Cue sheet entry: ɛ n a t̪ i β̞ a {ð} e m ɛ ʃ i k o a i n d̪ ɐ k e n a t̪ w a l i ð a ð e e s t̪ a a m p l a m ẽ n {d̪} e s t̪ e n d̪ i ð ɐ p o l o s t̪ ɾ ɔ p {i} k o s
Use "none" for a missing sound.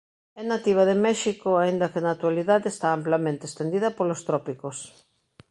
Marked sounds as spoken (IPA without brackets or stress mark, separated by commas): ð, t̪, i